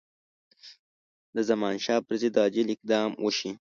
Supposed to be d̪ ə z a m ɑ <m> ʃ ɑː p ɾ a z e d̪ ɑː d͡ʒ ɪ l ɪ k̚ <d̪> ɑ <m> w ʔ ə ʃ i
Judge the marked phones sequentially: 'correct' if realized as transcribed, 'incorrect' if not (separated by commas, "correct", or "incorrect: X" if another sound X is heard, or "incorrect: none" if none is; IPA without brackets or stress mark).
incorrect: n, correct, correct